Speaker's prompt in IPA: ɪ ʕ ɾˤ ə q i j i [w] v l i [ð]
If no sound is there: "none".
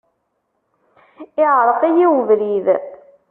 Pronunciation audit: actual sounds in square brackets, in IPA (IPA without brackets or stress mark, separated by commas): w, ð